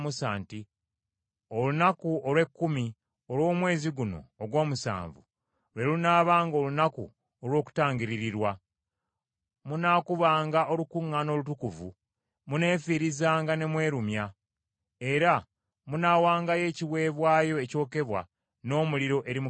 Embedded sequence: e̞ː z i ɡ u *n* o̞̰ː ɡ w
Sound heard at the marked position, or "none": n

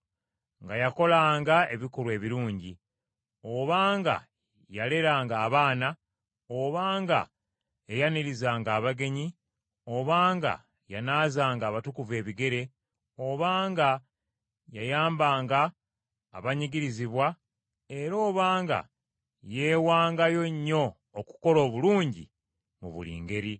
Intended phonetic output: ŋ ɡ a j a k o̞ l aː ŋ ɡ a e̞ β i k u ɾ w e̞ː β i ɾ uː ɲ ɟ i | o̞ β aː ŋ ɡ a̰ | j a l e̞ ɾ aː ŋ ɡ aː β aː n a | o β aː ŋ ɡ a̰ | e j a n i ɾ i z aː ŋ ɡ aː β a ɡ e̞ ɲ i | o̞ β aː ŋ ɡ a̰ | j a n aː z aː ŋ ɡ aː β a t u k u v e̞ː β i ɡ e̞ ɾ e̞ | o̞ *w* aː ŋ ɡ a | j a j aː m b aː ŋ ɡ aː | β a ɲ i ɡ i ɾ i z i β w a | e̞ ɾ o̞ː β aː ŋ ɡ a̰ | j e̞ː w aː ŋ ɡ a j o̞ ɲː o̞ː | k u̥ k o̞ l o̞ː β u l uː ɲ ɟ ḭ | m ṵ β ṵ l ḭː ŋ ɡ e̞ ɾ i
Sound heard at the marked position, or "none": β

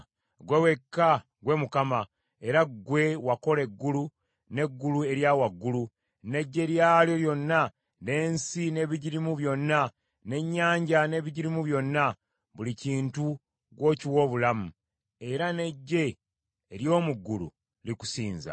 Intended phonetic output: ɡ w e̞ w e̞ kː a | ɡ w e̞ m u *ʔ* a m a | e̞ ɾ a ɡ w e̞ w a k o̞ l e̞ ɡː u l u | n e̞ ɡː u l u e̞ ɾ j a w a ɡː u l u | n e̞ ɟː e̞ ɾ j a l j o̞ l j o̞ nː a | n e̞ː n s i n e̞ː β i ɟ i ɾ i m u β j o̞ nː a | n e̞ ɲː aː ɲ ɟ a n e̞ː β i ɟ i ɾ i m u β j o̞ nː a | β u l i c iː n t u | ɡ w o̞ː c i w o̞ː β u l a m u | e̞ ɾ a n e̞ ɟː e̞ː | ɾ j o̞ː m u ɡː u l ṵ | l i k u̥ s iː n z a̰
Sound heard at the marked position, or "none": k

